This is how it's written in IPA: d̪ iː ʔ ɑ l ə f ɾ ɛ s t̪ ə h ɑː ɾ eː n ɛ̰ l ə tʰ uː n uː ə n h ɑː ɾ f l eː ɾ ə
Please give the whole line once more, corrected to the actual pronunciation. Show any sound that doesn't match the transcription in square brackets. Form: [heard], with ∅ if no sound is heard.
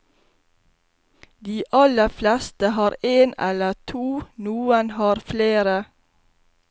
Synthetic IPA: d̪ iː ʔ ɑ l ə f [l] ɛ s t̪ ə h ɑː ɾ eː n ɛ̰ l ə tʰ uː n uː ə n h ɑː ɾ f l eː ɾ ə